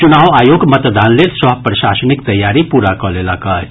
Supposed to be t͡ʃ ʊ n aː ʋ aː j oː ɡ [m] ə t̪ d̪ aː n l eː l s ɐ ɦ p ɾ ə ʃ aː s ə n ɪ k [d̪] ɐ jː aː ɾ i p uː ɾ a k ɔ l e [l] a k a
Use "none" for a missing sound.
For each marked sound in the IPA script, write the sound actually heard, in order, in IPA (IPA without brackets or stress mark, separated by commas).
m, t̪, l